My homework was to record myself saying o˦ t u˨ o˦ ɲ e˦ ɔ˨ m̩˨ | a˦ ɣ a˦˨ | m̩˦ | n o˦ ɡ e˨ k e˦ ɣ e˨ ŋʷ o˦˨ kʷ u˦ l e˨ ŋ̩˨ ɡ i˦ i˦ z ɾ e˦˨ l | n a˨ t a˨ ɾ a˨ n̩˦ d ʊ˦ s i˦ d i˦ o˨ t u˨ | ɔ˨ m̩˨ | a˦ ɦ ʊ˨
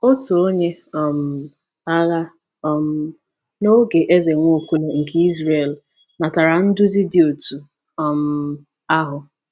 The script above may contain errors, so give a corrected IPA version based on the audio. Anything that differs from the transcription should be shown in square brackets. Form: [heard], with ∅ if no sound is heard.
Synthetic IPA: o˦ t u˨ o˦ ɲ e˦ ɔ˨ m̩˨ | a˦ ɣ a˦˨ | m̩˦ | n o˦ ɡ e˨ [ʔ] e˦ [z] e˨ ŋʷ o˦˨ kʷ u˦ l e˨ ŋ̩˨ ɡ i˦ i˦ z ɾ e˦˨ l | n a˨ t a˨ ɾ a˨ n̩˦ d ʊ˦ [z] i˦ d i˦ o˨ t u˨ | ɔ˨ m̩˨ | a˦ ɦ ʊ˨